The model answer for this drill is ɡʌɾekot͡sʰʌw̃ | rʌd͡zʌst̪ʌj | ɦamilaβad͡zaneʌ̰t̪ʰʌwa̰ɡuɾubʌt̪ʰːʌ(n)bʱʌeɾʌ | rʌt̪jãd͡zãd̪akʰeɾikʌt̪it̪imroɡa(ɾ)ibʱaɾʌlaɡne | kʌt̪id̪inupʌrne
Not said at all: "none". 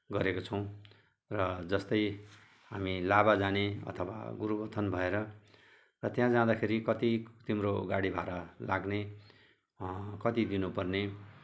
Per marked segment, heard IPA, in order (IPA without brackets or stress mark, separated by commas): n, ɽ